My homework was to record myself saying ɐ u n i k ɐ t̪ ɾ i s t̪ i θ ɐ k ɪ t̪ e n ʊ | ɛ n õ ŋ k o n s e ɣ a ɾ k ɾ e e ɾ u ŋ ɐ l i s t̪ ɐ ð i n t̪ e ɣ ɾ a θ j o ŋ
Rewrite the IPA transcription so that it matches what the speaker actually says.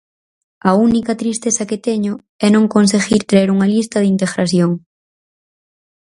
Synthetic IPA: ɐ u n i k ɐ t̪ ɾ i s t̪ e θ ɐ k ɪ t̪ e ɲ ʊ | ɛ n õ ŋ k o n s e ɣ i ɾ k ɾ e e ɾ u ŋ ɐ l i s t̪ ɐ ð i n t̪ e ɣ ɾ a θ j o ŋ